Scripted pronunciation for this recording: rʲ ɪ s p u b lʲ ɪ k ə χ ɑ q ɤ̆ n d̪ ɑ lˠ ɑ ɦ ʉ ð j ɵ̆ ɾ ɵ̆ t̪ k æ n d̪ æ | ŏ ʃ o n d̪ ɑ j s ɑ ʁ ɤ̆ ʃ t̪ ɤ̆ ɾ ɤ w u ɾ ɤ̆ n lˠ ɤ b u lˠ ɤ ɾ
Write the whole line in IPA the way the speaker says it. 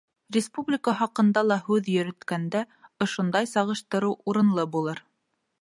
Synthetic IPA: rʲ ɪ s p u b lʲ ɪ k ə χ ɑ q ɤ̆ n d̪ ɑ lˠ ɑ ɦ ʉ ð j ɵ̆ ɾ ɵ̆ t̪ k æ n d̪ æ | ŏ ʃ o n d̪ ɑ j s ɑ ʁ ɤ̆ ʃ t̪ ɤ̆ ɾ ɤ w u ɾ ɤ̆ n lˠ ɤ b u lˠ ɤ ɾ

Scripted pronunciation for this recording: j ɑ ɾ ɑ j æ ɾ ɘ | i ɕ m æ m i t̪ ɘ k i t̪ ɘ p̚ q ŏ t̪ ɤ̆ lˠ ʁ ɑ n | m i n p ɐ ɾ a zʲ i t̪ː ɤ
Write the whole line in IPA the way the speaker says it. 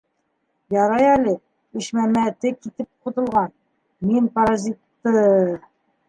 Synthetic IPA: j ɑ ɾ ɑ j æ l ɘ | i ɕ m æ m æ t̪ ɘ k i t̪ ɘ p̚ q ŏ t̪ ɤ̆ lˠ ʁ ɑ n | m i n p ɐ ɾ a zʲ i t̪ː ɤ

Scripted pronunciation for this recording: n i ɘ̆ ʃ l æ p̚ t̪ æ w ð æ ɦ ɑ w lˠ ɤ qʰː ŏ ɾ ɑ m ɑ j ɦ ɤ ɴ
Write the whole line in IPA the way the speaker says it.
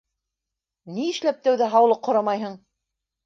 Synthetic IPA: n i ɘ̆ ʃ l æ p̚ t̪ æ w ð æ ɦ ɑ w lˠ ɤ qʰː ŏ ɾ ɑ m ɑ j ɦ ɤ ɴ

